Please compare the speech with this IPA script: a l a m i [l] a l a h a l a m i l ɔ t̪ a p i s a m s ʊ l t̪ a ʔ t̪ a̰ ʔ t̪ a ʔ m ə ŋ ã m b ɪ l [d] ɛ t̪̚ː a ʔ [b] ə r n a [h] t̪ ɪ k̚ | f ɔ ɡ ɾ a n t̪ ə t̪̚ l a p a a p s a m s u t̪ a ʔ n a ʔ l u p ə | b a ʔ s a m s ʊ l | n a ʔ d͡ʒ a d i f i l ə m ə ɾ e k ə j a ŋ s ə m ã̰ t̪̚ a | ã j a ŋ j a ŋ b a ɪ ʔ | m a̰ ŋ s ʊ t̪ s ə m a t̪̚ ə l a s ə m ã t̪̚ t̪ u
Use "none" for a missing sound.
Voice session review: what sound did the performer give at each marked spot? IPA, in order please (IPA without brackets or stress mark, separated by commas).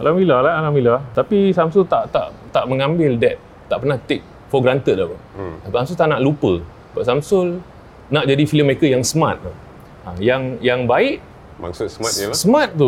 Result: l, d, p, h